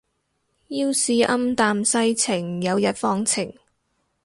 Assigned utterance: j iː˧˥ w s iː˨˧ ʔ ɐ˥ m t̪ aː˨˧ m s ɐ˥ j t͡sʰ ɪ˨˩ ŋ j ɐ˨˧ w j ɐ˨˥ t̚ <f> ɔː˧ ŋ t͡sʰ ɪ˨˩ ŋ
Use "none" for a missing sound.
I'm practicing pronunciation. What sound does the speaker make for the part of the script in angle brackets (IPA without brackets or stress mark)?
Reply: f